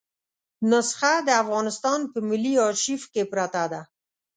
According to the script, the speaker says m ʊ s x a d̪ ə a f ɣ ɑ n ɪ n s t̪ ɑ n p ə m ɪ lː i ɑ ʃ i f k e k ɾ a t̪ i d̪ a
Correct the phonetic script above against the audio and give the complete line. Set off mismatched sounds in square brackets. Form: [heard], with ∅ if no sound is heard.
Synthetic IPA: [n] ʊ s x a d̪ ə a f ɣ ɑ n ɪ [∅] s t̪ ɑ n p ə m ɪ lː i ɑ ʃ i f k e [p] ɾ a t̪ [a] d̪ a